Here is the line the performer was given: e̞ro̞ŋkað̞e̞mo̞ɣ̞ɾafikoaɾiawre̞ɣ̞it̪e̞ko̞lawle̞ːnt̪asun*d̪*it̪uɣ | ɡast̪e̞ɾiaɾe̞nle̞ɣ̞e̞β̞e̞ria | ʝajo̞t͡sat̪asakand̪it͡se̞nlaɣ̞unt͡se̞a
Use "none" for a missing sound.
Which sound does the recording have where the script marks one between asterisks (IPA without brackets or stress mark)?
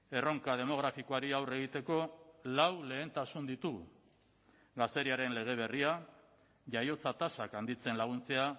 d̪